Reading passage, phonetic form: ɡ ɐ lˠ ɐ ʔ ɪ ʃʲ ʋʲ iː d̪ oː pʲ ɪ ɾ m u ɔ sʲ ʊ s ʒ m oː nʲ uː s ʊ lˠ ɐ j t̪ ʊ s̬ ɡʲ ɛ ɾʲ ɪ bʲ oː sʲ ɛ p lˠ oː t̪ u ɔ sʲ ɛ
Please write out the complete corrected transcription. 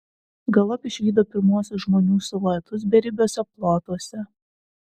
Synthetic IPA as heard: ɡ ɐ lˠ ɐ p ɪ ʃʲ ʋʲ iː d̪ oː pʲ ɪ ɾ m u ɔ sʲ ʊ s ʒ m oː nʲ uː s ʊ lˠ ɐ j t̪ ʊ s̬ bʲ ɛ ɾʲ ɪ bʲ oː sʲ ɛ p lˠ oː t̪ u ɔ sʲ ɛ